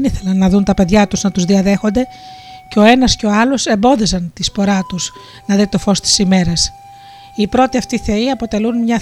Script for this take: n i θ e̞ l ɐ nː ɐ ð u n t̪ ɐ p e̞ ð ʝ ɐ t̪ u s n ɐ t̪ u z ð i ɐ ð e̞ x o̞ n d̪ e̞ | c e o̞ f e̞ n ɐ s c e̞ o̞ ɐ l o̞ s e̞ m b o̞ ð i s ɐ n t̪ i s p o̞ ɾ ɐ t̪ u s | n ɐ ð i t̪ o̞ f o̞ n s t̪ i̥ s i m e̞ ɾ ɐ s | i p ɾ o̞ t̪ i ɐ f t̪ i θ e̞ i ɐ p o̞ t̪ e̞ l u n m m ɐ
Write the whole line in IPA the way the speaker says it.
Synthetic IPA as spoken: n i θ e̞ l ɐ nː ɐ ð u n t̪ ɐ p e̞ ð ʝ ɐ t̪ u z n ɐ t̪ u z ð i ɐ ð e̞ x o̞ n d̪ e̞ | c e o̞ e̞ n ɐ s c e̞ o̞ ɐ l o̞ s e̞ m b o̞ ð i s ɐ n t̪ i s p o̞ ɾ ɐ t̪ u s | n ɐ ð i t̪ o̞ f o̞ s t̪ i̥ s i m e̞ ɾ ɐ s | i p ɾ o̞ t̪ i ɐ f t̪ i θ e̞ i ɐ p o̞ t̪ e̞ l u n m ɲ ɐ